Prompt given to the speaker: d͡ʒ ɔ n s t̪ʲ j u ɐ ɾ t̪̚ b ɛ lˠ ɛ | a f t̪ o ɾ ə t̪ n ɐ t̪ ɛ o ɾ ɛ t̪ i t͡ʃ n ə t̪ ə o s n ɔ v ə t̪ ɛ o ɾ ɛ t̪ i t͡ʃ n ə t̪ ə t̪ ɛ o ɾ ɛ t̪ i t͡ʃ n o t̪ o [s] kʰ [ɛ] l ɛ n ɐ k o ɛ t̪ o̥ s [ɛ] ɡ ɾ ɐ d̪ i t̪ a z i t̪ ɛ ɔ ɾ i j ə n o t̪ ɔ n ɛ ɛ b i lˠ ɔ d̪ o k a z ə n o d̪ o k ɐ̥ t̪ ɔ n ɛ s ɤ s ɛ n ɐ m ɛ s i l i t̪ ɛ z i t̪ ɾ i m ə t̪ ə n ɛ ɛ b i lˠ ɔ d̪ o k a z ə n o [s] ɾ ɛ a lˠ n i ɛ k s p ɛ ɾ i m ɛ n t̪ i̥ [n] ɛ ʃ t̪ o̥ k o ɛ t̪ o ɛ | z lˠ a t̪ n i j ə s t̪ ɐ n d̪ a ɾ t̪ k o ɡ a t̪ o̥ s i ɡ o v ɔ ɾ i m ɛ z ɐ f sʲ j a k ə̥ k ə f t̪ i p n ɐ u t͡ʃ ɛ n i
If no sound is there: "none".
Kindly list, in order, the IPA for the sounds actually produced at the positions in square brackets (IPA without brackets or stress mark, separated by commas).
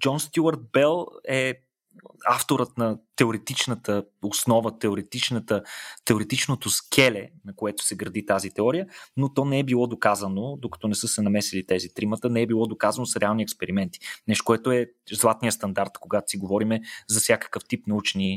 s, ɛ, ɛ, s, n